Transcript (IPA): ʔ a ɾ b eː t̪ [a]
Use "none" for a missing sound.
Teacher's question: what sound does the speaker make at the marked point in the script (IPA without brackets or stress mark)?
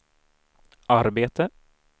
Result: ə